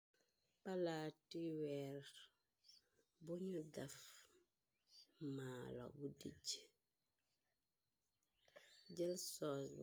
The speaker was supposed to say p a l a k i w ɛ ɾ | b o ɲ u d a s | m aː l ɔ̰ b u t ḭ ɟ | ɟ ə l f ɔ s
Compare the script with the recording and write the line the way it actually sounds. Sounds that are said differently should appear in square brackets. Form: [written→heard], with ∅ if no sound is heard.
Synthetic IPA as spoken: p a l a [k→t] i w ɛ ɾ | b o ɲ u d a [s→f] | m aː l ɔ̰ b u [t→d] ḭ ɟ | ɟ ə l [f→s] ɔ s